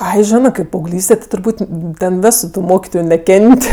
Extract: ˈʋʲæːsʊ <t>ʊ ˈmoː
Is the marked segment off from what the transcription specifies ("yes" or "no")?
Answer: no